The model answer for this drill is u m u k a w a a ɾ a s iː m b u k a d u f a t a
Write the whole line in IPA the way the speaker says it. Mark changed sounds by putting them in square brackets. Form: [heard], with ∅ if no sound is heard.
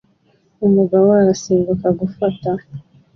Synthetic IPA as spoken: u m u [ɡ] a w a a ɾ a s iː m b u k a [ɡ] u f a t a